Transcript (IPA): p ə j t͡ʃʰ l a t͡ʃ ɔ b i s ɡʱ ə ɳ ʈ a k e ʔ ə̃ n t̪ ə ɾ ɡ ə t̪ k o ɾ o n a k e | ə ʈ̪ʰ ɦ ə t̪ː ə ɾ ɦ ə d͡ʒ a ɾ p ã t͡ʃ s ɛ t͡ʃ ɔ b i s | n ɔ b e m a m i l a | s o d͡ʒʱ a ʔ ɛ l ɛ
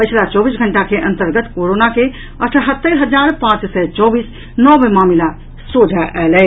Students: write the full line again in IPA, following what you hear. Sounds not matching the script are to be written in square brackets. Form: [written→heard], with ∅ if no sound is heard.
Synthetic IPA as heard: p ə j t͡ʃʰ l a t͡ʃ ɔ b i s ɡʱ ə ɳ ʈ a k e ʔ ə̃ n t̪ ə ɾ ɡ ə t̪ k o ɾ o n a k e | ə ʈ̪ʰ ɦ ə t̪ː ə ɾ ɦ ə d͡ʒ a ɾ p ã t͡ʃ s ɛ t͡ʃ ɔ b i s | n ɔ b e m a m i l a | s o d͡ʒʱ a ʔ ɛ l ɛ